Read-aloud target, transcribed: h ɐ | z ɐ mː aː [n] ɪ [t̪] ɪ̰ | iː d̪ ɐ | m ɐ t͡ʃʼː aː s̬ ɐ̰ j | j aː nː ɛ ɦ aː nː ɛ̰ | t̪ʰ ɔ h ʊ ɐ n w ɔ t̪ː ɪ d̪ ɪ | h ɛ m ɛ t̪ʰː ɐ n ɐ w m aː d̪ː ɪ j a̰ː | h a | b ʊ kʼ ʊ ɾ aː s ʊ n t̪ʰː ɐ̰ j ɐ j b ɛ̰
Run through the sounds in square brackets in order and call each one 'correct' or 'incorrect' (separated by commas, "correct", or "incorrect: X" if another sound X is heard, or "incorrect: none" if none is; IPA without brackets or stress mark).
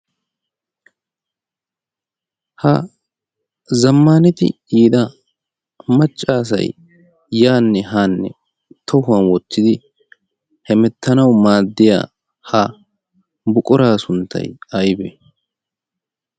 correct, correct